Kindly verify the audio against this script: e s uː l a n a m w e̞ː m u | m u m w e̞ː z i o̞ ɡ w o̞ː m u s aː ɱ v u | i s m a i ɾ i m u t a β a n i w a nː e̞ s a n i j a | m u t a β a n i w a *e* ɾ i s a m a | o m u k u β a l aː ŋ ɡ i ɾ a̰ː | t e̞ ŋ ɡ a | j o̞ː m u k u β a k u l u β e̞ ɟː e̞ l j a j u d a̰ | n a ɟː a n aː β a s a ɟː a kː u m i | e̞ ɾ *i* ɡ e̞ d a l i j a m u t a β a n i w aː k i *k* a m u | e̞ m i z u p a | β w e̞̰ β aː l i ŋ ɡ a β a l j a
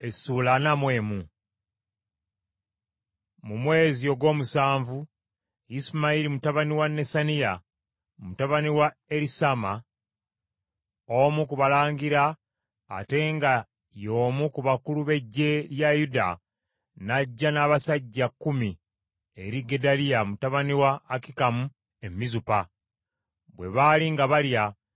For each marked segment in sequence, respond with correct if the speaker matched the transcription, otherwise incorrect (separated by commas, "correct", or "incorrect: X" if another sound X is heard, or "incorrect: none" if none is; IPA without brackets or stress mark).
correct, correct, correct